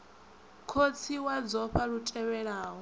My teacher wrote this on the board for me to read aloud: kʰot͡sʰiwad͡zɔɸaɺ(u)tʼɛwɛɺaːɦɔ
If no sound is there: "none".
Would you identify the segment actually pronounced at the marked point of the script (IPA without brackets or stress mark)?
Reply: u